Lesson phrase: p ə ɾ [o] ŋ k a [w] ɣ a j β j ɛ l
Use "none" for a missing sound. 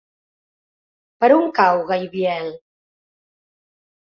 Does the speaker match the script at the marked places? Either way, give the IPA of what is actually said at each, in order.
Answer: u, w

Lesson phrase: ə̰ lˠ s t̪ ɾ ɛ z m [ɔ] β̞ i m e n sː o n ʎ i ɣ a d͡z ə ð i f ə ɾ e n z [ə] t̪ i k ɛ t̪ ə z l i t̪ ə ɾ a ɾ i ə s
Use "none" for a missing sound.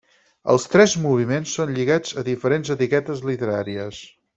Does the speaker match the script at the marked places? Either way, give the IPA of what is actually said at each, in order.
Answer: u, ə

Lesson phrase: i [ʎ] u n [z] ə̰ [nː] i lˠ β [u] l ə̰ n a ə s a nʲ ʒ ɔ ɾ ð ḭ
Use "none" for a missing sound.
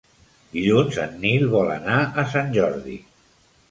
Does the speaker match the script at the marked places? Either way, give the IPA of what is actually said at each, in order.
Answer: ʎ, z, nː, ɔ

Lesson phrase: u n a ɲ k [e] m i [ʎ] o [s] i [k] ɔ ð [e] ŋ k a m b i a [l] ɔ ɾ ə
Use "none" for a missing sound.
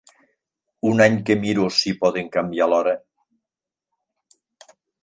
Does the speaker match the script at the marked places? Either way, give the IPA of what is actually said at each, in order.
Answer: e, ɾ, s, p, e, l

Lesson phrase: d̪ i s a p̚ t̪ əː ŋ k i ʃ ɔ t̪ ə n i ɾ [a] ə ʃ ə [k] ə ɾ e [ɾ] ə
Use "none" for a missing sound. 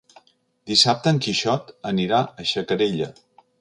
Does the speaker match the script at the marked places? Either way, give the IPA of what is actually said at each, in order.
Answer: a, k, ʎ

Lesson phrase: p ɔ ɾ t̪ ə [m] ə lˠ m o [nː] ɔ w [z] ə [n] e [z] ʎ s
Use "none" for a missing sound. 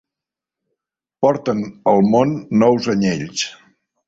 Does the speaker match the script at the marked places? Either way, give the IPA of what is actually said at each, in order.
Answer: n, nː, z, ɲ, none

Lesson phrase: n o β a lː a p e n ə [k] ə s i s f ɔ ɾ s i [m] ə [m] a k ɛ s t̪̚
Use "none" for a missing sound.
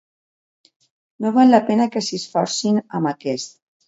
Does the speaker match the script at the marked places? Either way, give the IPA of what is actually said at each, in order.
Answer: k, n, m

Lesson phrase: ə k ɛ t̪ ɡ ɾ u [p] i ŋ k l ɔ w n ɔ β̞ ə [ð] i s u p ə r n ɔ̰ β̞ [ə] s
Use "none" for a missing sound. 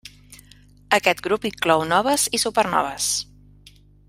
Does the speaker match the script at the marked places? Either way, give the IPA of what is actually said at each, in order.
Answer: p, z, ə

